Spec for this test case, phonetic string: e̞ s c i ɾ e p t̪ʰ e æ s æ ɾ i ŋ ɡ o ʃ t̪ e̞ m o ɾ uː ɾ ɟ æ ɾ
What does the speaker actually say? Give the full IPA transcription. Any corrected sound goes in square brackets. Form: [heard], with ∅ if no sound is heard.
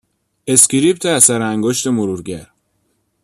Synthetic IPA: e̞ s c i ɾ [i] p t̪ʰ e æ s æ ɾ [æ] ŋ ɡ o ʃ t̪ e̞ m o ɾ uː ɾ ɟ æ ɾ